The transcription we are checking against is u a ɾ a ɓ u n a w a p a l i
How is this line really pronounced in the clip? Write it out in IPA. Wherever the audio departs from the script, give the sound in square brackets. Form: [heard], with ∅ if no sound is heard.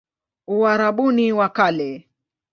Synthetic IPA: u a ɾ a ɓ u n [i] w a [k] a l [ɛ]